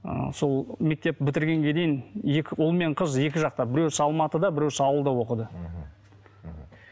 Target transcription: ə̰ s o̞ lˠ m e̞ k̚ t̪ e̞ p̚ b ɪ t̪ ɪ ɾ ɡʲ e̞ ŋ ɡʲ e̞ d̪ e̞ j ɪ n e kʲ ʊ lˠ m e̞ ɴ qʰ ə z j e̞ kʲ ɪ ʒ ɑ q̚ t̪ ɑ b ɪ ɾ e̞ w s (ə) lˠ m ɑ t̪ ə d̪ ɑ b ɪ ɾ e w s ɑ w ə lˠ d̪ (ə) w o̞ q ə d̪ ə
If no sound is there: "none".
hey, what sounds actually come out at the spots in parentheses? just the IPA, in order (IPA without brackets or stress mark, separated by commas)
ɑ, ɑ